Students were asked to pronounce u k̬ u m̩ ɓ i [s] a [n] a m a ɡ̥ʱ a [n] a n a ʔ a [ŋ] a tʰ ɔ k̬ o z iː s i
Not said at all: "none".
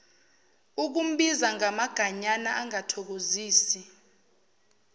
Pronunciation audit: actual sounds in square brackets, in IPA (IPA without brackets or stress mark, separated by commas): z, ŋ, ɲ, ŋ